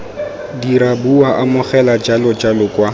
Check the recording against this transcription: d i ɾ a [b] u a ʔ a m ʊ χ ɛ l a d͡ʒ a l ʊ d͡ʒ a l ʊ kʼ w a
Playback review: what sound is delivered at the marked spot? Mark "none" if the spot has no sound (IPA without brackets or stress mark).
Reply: b